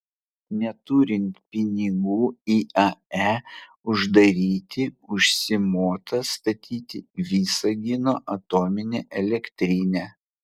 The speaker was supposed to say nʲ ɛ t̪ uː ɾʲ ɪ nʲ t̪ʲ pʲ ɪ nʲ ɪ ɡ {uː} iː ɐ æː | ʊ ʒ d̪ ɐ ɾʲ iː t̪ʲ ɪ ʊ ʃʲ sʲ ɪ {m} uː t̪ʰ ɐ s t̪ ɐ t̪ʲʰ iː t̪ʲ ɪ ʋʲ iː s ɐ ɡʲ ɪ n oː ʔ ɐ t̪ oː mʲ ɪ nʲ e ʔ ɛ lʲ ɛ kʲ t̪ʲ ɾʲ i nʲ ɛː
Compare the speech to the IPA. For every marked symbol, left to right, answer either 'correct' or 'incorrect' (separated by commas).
correct, correct